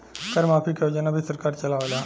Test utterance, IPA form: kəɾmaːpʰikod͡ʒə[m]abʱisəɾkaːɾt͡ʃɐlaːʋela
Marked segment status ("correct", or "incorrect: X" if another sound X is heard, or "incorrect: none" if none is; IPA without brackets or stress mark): incorrect: n